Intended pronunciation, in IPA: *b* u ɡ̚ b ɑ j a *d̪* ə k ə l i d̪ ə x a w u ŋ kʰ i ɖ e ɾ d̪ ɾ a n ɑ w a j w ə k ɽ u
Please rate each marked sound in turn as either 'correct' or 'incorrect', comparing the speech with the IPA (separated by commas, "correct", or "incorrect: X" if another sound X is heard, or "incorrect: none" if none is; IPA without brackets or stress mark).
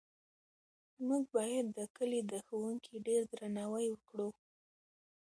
incorrect: m, incorrect: d̪ː